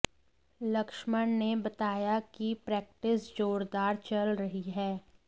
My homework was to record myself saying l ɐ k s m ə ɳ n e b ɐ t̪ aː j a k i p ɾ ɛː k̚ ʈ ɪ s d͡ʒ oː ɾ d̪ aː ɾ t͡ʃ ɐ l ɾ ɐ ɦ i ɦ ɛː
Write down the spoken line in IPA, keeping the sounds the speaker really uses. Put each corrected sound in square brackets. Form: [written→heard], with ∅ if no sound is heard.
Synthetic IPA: l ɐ k [s→ʃ] m ə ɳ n e b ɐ t̪ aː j a k i p ɾ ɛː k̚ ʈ ɪ s d͡ʒ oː ɾ d̪ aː ɾ t͡ʃ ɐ l ɾ ɐ ɦ i ɦ ɛː